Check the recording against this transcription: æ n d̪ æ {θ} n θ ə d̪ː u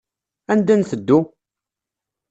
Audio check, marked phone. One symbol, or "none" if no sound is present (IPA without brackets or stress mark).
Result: none